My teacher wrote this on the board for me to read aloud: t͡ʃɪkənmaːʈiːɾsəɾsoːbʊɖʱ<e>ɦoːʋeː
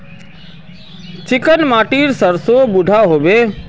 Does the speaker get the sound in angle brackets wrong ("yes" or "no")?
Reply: yes